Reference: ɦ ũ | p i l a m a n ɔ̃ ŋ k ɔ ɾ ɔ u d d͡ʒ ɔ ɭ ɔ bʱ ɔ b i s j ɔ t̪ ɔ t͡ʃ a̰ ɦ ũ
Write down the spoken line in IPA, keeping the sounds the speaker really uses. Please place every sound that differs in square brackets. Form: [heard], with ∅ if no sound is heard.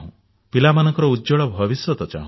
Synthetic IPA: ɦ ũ | p i l a m a n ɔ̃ ŋ k ɔ ɾ ɔ u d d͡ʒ ɔ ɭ ɔ bʱ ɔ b i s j ɔ t̪ ɔ t͡ʃ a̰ ɦ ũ